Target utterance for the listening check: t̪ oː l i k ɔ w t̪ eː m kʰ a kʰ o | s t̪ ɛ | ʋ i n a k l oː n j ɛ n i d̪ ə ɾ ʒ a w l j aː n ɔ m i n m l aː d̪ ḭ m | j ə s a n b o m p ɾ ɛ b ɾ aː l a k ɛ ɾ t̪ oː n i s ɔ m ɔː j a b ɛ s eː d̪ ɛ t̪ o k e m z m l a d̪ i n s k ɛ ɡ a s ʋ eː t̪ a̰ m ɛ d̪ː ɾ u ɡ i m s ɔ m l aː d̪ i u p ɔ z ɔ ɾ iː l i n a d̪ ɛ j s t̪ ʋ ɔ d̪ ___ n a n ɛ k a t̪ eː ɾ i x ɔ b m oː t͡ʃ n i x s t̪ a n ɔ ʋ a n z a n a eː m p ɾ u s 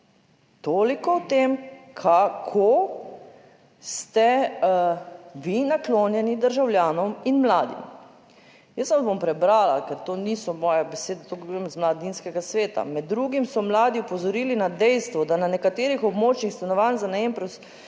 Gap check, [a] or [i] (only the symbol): a